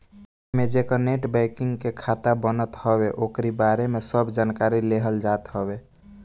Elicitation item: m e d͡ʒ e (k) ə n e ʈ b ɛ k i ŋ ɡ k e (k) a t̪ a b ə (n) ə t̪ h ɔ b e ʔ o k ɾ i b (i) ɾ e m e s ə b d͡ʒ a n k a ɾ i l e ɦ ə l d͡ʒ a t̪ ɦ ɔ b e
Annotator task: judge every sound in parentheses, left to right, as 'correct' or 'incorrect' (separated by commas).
correct, incorrect, correct, incorrect